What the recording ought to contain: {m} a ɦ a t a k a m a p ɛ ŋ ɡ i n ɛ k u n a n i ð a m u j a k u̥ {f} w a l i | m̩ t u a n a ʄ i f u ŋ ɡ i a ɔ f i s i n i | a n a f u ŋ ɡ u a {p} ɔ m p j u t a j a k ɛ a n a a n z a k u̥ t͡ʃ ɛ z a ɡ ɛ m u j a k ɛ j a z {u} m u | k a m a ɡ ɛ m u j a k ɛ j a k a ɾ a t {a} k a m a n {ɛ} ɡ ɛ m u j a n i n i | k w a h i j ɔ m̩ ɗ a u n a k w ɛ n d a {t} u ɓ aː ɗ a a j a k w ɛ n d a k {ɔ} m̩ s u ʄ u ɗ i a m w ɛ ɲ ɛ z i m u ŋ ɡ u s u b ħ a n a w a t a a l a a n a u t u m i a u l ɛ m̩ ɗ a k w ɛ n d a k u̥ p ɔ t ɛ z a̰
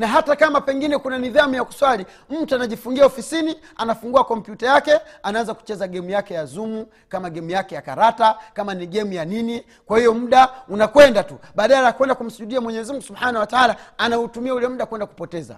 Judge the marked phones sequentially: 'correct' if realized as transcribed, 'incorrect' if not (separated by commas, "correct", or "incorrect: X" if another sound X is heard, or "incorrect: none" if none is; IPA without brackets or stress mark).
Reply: incorrect: n, incorrect: s, incorrect: k, correct, correct, incorrect: i, correct, incorrect: u